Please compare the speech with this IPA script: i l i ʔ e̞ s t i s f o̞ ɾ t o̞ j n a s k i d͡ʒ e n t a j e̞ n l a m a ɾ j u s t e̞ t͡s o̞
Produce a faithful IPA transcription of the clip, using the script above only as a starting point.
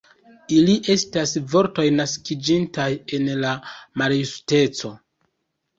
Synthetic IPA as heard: i l i ʔ e̞ s t a s v o̞ ɾ t o̞ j n a s k i d͡ʒ i n t a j e̞ n l a m a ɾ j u s t e̞ t͡s o̞